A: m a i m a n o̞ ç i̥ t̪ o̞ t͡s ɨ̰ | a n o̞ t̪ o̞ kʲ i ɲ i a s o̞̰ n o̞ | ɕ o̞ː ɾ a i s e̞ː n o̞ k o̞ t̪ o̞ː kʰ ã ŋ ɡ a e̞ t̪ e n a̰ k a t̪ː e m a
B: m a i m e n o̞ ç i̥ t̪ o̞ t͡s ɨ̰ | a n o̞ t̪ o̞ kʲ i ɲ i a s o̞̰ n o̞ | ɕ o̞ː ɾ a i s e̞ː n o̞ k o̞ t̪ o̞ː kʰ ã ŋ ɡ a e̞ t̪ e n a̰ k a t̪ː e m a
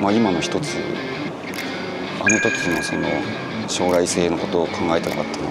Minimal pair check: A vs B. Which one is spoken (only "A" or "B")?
A